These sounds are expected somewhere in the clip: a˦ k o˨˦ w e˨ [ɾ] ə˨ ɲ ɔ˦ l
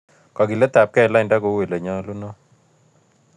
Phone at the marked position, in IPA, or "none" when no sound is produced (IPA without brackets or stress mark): l